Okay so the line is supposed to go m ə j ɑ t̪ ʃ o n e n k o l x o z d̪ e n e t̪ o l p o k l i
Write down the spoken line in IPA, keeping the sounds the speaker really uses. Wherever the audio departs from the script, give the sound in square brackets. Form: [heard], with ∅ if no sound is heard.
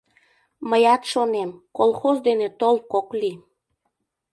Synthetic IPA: m ə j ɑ t̪ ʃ o n e [m] k o l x o z d̪ e n e t̪ o l [k] o k l i